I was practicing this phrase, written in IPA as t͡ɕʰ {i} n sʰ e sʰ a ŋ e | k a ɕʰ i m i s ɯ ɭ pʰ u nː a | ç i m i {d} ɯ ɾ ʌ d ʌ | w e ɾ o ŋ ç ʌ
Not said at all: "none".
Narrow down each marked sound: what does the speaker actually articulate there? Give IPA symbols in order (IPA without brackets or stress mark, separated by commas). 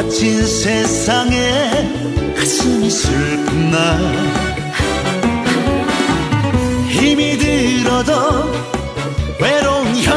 i, d